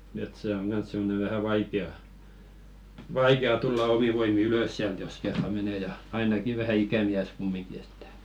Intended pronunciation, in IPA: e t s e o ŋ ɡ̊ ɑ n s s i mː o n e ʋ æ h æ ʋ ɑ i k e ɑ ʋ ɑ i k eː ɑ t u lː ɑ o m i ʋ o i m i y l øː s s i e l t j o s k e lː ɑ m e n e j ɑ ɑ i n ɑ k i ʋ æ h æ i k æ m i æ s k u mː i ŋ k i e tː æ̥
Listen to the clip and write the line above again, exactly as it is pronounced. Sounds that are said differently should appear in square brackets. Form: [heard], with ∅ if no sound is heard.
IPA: e t s e o ŋ ɡ̊ ɑ n s s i mː o n e ʋ æ h æ ʋ ɑ i k e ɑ ʋ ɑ i k [e] ɑ t u lː ɑ o m i ʋ o i m i y l [ø] s s i [æ] l t j o s k e [rː] ɑ m e n e j ɑ ɑ i n ɑ k i ʋ æ h æ i k æ m i æ s k u mː i ŋ k i e tː æ̥